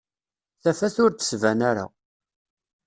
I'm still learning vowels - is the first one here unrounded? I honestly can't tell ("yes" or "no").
yes